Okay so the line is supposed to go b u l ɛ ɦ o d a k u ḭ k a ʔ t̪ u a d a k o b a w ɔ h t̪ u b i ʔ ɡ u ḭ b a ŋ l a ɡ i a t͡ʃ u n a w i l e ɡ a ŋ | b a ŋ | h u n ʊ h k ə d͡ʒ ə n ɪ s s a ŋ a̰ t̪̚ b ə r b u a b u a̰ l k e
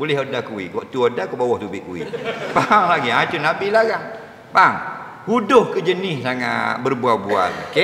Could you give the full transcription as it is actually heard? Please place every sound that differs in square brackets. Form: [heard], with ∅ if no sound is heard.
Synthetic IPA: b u l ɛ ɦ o d a k u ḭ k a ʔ t̪ u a d a k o b a w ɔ h t̪ u b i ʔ [k] u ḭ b a ŋ l a ɡ i a t͡ʃ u n a [b] i l [a] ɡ a ŋ | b a ŋ | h u [d] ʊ h k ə d͡ʒ ə n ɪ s s a ŋ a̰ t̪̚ b ə r b u a b u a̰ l k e